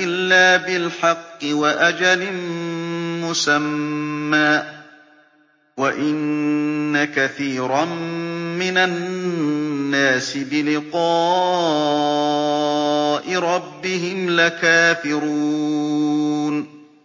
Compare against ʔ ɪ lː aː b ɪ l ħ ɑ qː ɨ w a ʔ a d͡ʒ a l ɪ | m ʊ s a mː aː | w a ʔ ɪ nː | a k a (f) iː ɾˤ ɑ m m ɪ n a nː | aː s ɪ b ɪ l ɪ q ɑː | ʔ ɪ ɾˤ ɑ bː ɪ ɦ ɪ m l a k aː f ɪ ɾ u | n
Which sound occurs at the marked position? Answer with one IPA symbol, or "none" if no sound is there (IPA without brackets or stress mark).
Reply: θ